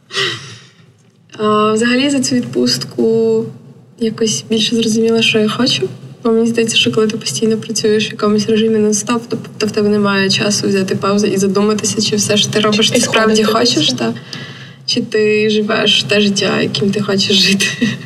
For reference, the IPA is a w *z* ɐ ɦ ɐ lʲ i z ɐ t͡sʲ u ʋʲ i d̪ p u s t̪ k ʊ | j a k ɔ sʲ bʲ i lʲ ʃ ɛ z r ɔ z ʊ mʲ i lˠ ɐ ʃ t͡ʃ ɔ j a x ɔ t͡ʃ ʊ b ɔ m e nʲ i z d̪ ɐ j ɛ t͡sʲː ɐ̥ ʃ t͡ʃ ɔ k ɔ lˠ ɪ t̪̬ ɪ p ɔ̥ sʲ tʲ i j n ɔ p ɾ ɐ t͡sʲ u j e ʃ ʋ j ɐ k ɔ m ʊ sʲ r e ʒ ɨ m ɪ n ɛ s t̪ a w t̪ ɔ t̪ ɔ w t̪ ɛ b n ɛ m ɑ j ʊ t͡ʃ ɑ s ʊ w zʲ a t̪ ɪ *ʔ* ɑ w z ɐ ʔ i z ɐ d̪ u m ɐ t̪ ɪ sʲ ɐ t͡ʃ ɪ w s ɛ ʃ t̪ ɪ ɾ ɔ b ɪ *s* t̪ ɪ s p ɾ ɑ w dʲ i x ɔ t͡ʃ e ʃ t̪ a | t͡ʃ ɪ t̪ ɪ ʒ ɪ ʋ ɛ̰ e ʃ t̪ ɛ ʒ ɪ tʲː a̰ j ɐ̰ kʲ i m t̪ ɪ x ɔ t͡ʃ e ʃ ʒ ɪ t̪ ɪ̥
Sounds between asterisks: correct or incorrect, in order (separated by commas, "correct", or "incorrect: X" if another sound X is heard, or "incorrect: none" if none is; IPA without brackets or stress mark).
correct, incorrect: p, incorrect: ʃ